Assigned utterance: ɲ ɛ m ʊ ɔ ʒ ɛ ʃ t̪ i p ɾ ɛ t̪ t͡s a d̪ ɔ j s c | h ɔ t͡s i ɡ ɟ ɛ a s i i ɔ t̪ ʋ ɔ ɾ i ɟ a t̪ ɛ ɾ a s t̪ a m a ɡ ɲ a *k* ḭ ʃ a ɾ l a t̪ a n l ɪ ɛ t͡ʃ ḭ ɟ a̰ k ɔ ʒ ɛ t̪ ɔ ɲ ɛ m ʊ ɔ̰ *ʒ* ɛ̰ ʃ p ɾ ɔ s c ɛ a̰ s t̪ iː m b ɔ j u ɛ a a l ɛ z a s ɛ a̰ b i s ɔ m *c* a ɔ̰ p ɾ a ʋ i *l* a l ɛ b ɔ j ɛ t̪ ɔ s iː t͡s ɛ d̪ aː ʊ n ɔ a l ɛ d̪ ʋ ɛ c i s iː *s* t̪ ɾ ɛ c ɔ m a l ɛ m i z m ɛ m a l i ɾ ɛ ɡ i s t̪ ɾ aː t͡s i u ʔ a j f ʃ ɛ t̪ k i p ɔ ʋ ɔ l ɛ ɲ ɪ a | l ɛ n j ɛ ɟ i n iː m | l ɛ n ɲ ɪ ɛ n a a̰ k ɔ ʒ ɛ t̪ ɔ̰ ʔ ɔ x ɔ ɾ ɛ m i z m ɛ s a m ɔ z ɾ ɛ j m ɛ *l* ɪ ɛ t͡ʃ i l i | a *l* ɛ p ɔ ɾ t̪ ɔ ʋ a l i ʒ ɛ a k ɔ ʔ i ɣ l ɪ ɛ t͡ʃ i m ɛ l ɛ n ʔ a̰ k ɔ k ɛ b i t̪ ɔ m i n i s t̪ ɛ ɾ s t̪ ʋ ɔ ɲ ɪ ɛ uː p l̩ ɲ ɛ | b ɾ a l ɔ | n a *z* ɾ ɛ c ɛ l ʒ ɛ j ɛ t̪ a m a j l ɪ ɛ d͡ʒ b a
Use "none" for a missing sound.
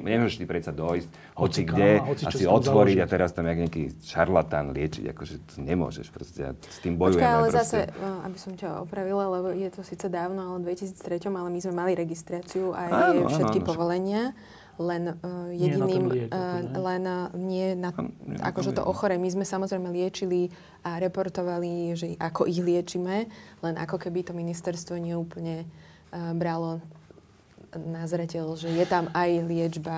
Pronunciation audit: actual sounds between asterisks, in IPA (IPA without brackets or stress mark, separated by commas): k, ʒ, c, l, t͡s, l, ɾ, z